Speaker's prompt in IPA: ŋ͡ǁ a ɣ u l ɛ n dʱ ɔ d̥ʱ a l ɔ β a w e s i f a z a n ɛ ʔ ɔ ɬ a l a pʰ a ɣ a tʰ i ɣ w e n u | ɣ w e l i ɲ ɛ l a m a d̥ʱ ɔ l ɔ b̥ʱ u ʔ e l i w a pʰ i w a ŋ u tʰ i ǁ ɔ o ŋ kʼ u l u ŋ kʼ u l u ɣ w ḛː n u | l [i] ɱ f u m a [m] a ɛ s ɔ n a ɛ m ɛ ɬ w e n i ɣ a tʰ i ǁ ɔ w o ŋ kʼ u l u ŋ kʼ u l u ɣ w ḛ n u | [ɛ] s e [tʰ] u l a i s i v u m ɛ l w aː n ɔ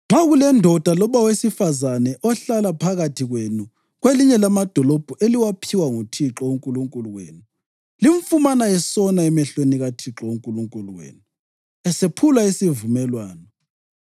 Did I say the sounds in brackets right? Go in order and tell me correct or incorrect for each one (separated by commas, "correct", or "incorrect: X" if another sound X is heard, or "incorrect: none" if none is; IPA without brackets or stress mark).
correct, incorrect: n, correct, incorrect: pʰ